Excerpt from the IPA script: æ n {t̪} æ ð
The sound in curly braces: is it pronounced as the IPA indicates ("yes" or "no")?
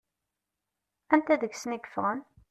yes